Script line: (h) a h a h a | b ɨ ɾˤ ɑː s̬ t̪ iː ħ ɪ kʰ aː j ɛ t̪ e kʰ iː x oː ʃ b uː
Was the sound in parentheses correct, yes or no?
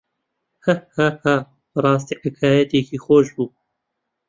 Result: yes